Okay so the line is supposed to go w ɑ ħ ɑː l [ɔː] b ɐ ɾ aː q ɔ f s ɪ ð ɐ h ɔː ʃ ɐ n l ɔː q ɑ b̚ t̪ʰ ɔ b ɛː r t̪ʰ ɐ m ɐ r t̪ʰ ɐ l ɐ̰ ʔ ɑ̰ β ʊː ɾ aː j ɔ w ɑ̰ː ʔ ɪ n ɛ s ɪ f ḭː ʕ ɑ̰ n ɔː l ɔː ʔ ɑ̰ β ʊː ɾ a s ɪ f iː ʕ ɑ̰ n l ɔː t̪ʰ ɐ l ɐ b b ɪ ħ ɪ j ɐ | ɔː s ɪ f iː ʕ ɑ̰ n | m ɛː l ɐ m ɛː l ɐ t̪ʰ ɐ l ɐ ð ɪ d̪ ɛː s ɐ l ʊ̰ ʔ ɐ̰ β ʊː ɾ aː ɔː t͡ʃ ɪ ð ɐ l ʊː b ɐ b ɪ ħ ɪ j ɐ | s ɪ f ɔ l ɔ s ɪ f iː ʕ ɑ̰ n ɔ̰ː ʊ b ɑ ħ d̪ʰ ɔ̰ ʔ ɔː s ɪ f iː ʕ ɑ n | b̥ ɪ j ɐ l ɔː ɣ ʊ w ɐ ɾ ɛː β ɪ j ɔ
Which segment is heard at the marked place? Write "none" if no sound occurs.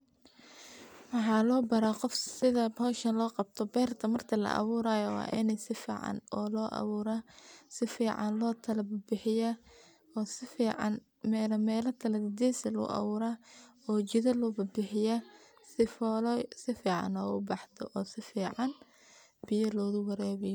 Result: ɔː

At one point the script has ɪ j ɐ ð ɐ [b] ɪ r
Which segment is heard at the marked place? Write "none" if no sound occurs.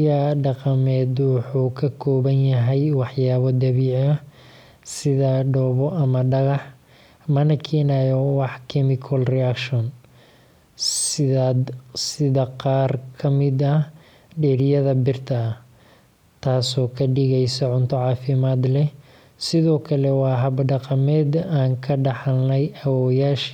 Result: b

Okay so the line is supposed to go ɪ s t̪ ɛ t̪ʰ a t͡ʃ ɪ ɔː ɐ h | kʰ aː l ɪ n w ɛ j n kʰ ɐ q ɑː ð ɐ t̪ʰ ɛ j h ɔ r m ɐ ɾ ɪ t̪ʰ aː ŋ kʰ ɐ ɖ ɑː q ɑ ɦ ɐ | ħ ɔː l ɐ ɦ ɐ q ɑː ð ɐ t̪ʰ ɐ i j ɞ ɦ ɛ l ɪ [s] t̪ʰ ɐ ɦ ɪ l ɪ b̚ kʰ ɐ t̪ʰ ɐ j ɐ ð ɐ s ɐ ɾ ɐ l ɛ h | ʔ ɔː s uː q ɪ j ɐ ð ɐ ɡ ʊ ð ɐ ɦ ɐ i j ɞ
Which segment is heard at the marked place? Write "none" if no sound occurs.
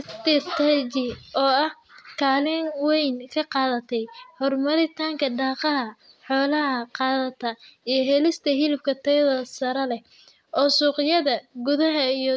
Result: s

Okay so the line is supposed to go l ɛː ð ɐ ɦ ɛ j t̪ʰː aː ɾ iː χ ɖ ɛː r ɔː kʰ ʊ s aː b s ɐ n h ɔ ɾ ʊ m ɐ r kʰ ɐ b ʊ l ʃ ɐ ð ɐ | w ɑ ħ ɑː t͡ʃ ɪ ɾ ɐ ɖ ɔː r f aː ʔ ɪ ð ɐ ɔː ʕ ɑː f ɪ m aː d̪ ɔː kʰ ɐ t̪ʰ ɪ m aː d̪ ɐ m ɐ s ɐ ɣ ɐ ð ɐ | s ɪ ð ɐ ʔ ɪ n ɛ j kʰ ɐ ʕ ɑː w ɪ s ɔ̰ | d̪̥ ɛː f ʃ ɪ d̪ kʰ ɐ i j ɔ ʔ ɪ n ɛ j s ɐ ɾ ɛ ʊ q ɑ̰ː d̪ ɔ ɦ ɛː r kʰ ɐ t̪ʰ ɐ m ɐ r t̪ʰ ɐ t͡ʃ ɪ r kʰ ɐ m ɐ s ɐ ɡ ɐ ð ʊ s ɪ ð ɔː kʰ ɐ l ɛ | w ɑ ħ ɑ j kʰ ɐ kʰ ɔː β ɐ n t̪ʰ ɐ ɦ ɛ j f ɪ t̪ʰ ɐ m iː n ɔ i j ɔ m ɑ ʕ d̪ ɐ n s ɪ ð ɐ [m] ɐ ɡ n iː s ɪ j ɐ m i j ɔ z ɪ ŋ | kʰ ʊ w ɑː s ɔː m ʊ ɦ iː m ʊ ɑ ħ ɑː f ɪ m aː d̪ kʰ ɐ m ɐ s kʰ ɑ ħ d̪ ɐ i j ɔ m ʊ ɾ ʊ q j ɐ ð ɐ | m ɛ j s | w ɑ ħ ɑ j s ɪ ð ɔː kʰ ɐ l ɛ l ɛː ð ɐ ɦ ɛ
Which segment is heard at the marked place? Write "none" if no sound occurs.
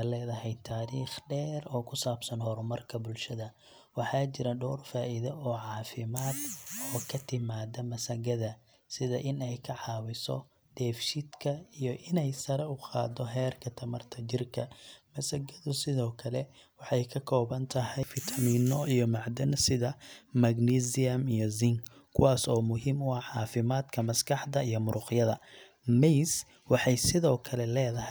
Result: m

